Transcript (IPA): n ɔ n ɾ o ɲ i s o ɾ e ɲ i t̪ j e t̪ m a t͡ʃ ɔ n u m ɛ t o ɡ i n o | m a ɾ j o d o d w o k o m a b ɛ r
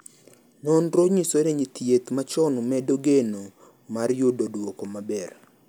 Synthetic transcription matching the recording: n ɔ n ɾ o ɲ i s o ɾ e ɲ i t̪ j e t̪ m a t͡ʃ ɔ n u m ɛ d o ɡ e n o | m a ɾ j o d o d w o k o m a b ɛ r